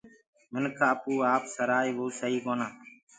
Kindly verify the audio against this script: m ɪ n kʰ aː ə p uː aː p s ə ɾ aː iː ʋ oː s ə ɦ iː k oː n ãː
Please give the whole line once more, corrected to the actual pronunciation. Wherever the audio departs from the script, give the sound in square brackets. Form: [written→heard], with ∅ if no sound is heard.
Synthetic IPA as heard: m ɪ n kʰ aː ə p uː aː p s ə ɾ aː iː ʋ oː s ə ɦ iː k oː n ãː